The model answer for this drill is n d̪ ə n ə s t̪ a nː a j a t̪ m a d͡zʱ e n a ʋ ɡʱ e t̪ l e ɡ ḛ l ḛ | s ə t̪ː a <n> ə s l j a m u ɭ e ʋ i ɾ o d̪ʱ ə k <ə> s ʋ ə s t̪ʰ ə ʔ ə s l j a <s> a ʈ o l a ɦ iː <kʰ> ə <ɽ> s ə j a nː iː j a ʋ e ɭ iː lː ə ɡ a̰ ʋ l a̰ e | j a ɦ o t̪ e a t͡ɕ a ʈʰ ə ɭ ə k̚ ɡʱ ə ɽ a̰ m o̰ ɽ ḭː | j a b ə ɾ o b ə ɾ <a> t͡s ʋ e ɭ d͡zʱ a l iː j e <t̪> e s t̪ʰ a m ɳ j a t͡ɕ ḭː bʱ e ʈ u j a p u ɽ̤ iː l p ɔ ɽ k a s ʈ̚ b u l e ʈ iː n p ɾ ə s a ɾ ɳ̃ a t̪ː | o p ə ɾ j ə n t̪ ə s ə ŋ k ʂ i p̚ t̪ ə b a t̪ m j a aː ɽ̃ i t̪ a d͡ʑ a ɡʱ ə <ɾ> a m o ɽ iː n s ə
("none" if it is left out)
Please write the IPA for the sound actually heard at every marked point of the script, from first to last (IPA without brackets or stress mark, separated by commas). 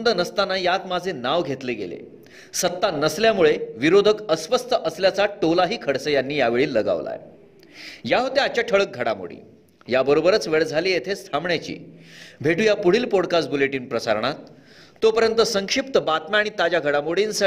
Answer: n, ə, t͡s, kʰ, ɽ, ə, t̪ʰ, ɽ